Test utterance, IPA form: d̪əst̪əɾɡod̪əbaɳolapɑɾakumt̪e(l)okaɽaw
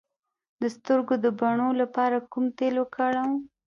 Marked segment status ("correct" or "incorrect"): correct